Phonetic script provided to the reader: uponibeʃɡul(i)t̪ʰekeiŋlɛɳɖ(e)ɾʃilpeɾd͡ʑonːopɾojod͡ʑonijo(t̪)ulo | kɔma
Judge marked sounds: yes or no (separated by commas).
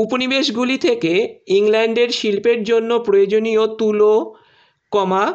yes, yes, yes